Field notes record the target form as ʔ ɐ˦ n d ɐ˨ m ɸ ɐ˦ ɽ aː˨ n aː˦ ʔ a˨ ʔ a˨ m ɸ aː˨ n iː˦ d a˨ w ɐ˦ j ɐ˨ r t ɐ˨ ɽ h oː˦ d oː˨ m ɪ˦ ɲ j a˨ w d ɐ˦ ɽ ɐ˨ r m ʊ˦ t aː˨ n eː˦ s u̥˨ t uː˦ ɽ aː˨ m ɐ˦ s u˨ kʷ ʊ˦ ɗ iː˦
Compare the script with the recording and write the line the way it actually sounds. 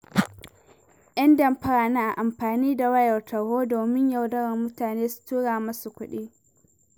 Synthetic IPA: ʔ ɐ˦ n d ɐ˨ m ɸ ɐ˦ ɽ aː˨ n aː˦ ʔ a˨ ʔ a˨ m ɸ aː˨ n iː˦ d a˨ w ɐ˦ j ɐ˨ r t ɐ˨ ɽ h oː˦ d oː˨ m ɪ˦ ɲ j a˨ w d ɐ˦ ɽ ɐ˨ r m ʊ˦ t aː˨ n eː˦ s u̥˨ t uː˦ ɽ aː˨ m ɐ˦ s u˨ kʷ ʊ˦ ɗ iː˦